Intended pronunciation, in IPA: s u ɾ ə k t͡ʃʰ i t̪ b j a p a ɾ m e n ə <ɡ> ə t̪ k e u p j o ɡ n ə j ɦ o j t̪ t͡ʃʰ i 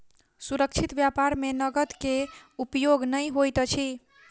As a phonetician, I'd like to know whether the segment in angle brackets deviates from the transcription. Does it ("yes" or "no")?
no